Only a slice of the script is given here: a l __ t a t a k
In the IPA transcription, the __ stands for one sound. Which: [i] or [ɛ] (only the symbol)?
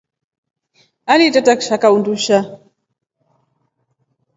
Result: i